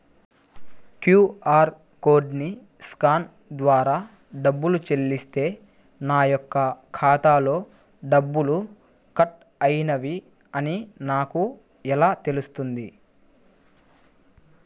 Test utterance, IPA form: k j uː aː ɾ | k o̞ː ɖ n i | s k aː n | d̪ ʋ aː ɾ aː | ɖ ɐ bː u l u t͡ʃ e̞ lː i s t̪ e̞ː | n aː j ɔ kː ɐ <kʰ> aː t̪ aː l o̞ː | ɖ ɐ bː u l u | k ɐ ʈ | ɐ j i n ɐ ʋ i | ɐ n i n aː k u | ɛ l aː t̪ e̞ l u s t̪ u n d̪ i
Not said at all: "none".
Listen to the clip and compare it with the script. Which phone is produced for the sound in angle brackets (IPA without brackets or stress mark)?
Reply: kʰ